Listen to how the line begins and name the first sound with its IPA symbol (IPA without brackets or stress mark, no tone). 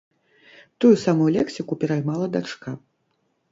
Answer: t̪